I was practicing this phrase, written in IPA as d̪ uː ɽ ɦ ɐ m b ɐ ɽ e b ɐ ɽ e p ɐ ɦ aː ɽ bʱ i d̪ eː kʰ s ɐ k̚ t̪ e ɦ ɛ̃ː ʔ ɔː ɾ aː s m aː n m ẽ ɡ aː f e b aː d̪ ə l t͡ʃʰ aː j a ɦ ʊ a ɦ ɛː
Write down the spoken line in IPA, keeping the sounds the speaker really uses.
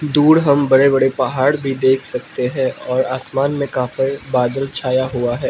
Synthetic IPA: d̪ uː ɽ ɦ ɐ m b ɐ ɽ e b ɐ ɽ e p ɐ ɦ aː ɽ bʱ i d̪ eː kʰ s ɐ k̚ t̪ e ɦ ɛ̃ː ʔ ɔː ɾ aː s m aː n m ẽ k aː f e b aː d̪ ə l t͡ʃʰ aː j a ɦ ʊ a ɦ ɛː